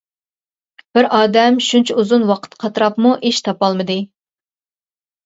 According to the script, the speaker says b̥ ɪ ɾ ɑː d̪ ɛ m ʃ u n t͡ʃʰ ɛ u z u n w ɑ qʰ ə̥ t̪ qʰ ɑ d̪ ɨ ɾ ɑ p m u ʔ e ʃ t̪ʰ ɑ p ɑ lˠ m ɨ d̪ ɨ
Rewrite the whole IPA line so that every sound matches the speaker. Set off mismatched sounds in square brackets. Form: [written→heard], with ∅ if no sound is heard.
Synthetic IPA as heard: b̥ ɪ ɾ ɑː d̪ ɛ m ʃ u n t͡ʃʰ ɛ u z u n w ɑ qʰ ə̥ t̪ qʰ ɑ [d̪→t̪] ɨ ɾ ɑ p m u ʔ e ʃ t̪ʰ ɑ p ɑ lˠ m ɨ d̪ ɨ